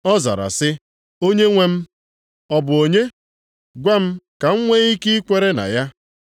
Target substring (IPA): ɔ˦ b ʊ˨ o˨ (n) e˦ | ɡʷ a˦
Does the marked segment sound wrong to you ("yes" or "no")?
yes